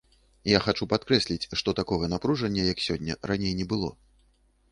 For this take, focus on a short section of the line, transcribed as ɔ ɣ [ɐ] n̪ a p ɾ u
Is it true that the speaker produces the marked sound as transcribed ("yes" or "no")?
yes